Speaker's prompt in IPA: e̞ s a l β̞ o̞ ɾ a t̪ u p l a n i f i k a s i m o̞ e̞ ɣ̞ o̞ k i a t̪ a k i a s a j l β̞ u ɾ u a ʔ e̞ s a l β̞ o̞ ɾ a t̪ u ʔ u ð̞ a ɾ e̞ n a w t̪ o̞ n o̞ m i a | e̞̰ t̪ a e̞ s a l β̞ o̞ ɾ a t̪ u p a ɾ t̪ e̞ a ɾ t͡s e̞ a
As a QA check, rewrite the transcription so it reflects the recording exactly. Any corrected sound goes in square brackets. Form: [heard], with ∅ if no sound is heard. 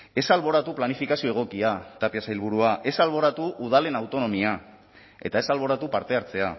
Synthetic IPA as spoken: e̞ s a l β̞ o̞ ɾ a t̪ u p l a n i f i k a s i [∅] o̞ e̞ ɣ̞ o̞ k i a t̪ a [p] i a s a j l β̞ u ɾ u a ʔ e̞ s a l β̞ o̞ ɾ a t̪ u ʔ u ð̞ a [l] e̞ n a w t̪ o̞ n o̞ m i a | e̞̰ t̪ a e̞ s a l β̞ o̞ ɾ a t̪ u p a ɾ t̪ e̞ a ɾ t͡s e̞ a

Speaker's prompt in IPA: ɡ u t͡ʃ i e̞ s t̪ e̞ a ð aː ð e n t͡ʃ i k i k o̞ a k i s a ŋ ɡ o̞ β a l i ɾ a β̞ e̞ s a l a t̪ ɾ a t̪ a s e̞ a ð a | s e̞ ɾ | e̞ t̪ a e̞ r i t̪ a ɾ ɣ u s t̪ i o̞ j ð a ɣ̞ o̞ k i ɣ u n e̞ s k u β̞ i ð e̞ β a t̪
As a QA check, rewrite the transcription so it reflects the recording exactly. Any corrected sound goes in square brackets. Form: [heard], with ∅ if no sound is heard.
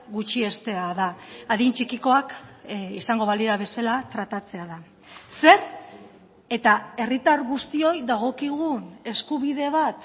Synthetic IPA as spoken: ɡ u t͡ʃ i e̞ s t̪ e̞ a ð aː ð [i] n t͡ʃ i k i k o̞ a k i s a ŋ ɡ o̞ β a l i ɾ a β̞ e̞ s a l a t̪ ɾ a t̪ a [t͡s] e̞ a ð a | s e̞ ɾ | e̞ t̪ a e̞ r i t̪ a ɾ ɣ u s t̪ i o̞ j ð a ɣ̞ o̞ k i ɣ u n e̞ s k u β̞ i ð e̞ β a t̪

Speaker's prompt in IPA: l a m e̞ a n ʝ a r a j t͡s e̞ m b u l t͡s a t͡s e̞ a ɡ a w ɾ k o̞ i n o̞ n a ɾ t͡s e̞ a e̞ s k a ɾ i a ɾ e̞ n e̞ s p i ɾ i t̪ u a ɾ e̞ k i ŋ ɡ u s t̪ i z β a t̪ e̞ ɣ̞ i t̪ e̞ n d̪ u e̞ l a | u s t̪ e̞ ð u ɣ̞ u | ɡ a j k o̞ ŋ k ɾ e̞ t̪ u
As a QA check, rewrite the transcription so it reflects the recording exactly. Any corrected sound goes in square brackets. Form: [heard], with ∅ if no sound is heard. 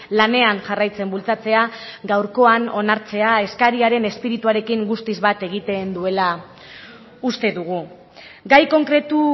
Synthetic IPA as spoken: l a [n] e̞ a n ʝ a r a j t͡s e̞ m b u l t͡s a t͡s e̞ a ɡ a w ɾ k o̞ [a] n o̞ n a ɾ t͡s e̞ a e̞ s k a ɾ i a ɾ e̞ n e̞ s p i ɾ i t̪ u a ɾ e̞ k i ŋ ɡ u s t̪ i z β a t̪ e̞ ɣ̞ i t̪ e̞ n d̪ u e̞ l a | u s t̪ e̞ ð u ɣ̞ u | ɡ a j k o̞ ŋ k ɾ e̞ t̪ u

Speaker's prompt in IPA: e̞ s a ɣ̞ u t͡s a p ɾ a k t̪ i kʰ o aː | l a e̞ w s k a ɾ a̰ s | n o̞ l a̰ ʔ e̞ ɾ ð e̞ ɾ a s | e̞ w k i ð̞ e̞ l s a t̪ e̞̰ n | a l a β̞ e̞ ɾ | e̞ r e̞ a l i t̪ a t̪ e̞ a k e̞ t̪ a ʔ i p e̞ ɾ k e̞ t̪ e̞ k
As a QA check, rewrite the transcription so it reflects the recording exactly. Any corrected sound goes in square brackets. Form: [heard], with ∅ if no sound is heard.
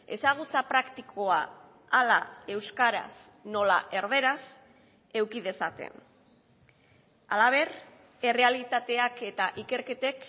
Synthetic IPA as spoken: e̞ s a ɣ̞ u t͡s a p ɾ a k t̪ i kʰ o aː | l a e̞ w s k a ɾ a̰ s | n o̞ l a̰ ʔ e̞ ɾ ð e̞ ɾ a s | e̞ w k i ð̞ e̞ [∅] s a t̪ e̞̰ n | a l a β̞ e̞ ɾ | e̞ r e̞ a l i t̪ a t̪ e̞ a k e̞ t̪ a ʔ i [k] e̞ ɾ k e̞ t̪ e̞ k

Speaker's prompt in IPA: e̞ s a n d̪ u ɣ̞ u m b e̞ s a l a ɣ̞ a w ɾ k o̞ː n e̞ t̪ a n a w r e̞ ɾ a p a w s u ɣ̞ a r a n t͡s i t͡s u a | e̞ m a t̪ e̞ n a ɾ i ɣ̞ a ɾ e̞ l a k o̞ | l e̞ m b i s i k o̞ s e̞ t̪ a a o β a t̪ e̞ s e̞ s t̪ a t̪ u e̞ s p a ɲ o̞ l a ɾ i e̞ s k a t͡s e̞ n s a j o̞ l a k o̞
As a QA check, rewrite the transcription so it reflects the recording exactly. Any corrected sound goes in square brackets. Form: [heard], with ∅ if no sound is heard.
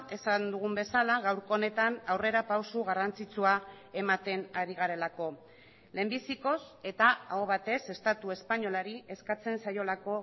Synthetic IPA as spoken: e̞ s a n d̪ u ɣ̞ u m b e̞ s a l a ɣ̞ a w ɾ k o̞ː n e̞ t̪ a n a w r e̞ ɾ a p a w s u ɣ̞ a r a n t͡s i t͡s u a | e̞ m a t̪ e̞ n a ɾ i ɣ̞ a ɾ e̞ l a k o̞ | l e̞ m b i s i k o̞ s e̞ t̪ a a o β a t̪ e̞ s e̞ s t̪ a t̪ u e̞ s p a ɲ o̞ l a ɾ i e̞ s k a t͡s e̞ n s a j o̞ l a k o̞

